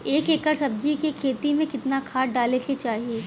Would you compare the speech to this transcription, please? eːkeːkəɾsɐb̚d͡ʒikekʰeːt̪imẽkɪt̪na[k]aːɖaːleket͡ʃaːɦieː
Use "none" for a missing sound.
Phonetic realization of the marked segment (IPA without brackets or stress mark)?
kʰ